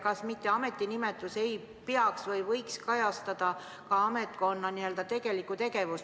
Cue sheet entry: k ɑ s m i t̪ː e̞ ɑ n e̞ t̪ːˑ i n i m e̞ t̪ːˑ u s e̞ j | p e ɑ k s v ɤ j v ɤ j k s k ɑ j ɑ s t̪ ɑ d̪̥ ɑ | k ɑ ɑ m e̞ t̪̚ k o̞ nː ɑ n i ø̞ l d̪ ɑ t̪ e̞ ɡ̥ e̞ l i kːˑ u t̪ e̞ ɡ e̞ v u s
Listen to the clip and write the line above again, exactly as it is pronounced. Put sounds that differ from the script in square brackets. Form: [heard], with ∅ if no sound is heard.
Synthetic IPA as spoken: k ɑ s m i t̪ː e̞ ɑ [m] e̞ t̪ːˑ i n i m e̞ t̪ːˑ u s e̞ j | p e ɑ k s v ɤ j v ɤ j k s k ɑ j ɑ s t̪ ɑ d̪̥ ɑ | k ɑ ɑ m e̞ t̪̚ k o̞ nː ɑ n i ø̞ l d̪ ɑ t̪ e̞ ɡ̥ e̞ l i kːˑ u t̪ e̞ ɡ e̞ v u s